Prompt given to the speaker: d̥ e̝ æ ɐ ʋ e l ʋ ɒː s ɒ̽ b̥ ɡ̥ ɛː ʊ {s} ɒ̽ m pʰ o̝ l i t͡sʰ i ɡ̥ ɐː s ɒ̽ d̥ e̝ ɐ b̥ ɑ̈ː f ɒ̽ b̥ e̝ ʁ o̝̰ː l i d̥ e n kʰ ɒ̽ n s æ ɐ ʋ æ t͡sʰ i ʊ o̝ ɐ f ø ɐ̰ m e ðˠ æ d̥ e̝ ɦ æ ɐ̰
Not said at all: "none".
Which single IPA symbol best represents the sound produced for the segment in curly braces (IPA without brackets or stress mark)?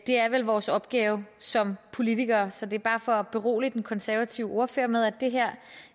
s